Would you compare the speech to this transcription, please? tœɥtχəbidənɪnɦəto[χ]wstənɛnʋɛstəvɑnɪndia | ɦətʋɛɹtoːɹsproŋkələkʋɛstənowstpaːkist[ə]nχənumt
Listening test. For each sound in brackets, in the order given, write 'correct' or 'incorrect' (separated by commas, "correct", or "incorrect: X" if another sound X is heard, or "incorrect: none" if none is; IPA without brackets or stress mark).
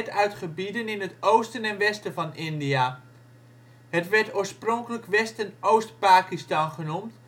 incorrect: none, incorrect: ɑ